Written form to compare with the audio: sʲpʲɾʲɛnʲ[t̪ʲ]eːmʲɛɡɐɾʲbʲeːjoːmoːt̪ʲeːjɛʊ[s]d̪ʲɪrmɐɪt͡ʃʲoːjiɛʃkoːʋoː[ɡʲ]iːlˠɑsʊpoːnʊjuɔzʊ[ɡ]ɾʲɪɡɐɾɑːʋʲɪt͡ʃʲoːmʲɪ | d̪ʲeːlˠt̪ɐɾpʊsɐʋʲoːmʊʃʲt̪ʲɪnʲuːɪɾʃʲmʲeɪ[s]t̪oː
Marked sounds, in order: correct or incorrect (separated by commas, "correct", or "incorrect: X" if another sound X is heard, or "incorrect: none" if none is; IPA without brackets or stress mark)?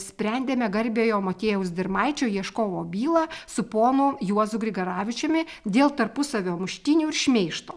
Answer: incorrect: d̪ʲ, correct, incorrect: bʲ, correct, incorrect: ʃ